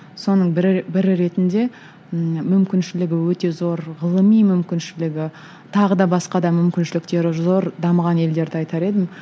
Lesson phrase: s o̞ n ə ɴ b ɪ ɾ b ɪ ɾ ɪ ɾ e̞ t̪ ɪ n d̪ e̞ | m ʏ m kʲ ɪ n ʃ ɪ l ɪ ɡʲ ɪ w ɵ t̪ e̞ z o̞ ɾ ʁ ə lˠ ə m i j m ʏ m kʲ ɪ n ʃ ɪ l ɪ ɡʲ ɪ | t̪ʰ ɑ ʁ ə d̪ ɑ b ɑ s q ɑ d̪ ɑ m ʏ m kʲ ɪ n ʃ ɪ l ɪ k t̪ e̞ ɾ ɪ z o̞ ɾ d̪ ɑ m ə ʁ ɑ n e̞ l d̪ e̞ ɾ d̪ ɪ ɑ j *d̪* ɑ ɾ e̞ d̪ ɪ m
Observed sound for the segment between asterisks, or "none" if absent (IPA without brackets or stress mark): t̪